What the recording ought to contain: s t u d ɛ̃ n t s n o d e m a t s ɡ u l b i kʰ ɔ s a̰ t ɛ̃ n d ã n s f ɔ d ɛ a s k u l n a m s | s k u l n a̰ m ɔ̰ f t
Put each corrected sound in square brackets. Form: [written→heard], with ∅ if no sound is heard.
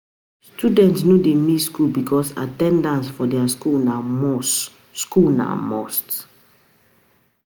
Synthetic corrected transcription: s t u d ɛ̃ n t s n o d e m [a→i] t s [ɡ→k] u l b i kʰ ɔ s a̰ t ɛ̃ n d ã n s f ɔ d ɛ a s k u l n a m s | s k u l n a̰ m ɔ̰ [f→s] t